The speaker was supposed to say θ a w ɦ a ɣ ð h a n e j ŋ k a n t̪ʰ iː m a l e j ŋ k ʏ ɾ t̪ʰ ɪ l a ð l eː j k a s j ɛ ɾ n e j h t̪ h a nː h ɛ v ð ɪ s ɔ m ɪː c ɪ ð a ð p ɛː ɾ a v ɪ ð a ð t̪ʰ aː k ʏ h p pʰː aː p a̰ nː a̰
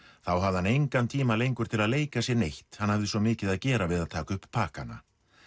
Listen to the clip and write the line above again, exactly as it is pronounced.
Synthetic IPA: θ a w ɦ a v ð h a n e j ŋ k a n t̪ʰ iː m a l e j ŋ k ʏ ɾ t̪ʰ ɪ l a ð l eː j k a s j ɛ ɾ n e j h t̪ h a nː h a v ð ɪ s ɔ m ɪː c ɪ ð a ð c ɛː ɾ a v ɪ ð a ð t̪ʰ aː k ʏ h p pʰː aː k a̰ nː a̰